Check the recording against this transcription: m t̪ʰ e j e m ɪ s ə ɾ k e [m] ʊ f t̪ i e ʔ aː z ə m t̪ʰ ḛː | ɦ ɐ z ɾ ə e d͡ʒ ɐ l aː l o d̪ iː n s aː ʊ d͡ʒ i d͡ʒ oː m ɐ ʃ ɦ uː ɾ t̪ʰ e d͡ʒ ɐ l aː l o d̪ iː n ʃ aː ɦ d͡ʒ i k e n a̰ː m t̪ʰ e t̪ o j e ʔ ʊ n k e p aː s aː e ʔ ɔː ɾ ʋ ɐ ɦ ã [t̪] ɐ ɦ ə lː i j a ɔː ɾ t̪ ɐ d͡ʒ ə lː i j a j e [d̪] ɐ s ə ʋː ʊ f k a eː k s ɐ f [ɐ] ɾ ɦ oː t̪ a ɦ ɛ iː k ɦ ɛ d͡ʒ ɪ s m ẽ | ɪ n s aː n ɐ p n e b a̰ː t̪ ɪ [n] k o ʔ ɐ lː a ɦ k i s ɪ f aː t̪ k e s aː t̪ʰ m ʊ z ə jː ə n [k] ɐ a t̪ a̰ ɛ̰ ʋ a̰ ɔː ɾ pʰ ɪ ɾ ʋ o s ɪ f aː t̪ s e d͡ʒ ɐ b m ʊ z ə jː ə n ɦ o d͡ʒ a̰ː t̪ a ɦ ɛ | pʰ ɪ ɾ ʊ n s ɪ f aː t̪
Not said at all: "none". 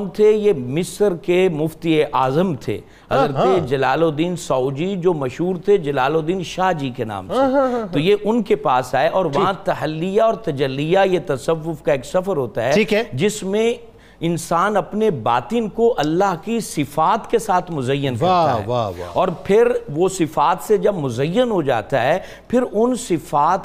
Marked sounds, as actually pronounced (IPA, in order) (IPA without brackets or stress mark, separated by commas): m, t̪, t̪, ə, n, k